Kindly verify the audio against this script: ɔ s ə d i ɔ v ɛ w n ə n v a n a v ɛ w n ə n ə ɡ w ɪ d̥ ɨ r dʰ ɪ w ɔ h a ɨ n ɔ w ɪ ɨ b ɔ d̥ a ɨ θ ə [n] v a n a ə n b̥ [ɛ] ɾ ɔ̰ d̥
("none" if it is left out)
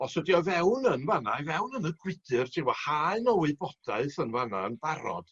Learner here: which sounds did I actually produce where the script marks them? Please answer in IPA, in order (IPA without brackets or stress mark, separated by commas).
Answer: n, a